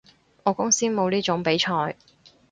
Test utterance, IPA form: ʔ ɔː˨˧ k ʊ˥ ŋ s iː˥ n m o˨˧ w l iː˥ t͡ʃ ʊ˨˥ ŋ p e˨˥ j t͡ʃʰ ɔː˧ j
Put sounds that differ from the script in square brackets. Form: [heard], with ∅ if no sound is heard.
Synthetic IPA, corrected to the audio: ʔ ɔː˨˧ k ʊ˥ ŋ s iː˥ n m o˨˧ w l iː˥ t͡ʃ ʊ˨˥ ŋ p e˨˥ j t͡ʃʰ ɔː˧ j